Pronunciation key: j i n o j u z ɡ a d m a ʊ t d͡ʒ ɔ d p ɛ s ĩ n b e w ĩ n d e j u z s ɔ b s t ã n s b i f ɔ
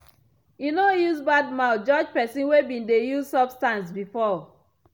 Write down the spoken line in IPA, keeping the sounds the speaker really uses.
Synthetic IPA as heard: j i n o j u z b a d m a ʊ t d͡ʒ ɔ d͡ʒ p ɛ s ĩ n w e b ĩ n d e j u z s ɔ b s t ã n s b i f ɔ